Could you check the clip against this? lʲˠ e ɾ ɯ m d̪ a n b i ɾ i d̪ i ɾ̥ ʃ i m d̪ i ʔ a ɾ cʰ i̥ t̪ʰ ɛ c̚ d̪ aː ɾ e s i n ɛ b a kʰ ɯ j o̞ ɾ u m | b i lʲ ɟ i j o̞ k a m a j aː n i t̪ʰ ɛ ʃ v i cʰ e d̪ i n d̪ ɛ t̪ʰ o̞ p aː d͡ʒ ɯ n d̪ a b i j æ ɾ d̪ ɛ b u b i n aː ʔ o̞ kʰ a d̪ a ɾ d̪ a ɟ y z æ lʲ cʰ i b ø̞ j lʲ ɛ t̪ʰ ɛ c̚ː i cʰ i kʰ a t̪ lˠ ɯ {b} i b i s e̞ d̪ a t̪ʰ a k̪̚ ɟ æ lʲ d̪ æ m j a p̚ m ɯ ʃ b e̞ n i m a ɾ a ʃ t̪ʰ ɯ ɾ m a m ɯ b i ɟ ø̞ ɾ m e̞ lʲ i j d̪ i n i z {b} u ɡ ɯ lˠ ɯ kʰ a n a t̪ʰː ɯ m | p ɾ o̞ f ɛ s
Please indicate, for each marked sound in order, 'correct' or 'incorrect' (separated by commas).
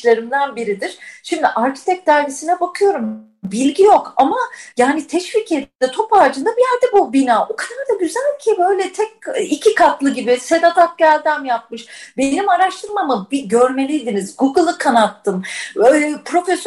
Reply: incorrect, incorrect